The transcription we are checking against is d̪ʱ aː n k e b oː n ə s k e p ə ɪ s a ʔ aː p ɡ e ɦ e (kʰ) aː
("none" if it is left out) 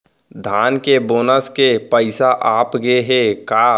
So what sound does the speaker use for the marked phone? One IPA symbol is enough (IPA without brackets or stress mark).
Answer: k